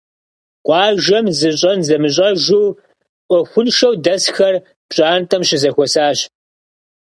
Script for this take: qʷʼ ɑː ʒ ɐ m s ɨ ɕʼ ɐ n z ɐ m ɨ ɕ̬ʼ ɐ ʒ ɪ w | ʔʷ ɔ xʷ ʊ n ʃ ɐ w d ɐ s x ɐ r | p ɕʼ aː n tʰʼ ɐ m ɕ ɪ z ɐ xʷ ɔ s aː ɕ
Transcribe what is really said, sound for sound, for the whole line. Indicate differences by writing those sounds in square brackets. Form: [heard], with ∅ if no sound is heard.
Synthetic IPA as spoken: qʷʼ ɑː ʒ ɐ m [z] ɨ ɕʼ ɐ n z ɐ m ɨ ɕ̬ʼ ɐ ʒ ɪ w | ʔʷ ɔ xʷ ʊ n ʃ ɐ w d ɐ s x ɐ r | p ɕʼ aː n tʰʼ ɐ m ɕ ɪ z ɐ xʷ ɔ s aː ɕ